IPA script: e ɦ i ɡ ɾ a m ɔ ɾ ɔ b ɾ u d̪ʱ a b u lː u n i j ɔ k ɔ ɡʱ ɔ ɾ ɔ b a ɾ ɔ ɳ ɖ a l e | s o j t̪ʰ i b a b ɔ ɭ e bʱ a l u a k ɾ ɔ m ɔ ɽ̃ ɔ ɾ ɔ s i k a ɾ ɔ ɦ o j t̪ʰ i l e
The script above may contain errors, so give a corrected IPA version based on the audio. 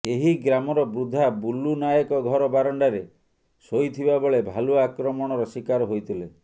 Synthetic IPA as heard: e ɦ i ɡ ɾ a m ɔ ɾ ɔ b ɾ u d̪ʱ a b u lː u n a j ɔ k ɔ ɡʱ ɔ ɾ ɔ b a ɾ ɔ ɳ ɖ a ɾ e | s o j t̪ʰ i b a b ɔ ɭ e bʱ a l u a k ɾ ɔ m ɔ ɽ̃ ɔ ɾ ɔ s i k a ɾ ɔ ɦ o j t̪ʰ i l e